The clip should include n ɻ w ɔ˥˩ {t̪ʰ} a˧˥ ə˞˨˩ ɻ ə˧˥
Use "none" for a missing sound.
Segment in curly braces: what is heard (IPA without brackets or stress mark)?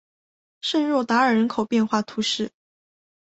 t̪